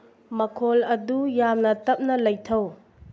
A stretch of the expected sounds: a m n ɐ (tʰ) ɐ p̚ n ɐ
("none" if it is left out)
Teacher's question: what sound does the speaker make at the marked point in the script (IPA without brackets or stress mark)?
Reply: t